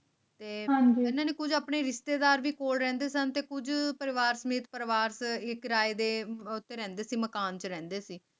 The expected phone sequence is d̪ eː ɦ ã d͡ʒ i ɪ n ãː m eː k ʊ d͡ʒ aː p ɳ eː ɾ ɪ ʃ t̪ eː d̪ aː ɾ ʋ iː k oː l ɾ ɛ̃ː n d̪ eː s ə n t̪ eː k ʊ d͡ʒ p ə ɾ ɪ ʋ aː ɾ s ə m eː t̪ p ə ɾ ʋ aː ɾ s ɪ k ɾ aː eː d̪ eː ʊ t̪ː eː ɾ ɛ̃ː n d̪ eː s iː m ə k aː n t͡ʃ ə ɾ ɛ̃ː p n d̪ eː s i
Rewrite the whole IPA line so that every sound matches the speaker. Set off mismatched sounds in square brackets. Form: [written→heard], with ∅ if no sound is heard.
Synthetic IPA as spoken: [d̪→t̪] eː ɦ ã d͡ʒ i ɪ n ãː [m→n] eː k ʊ d͡ʒ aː p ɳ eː ɾ ɪ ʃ t̪ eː d̪ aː ɾ ʋ iː k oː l ɾ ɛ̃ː n d̪ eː s ə n t̪ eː k ʊ d͡ʒ p ə ɾ ɪ ʋ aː ɾ s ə m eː t̪ p ə ɾ ʋ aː ɾ s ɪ k ɾ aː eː d̪ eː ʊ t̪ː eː ɾ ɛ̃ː n d̪ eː s iː m ə k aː n t͡ʃ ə ɾ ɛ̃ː [p→∅] n d̪ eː s [i→iː]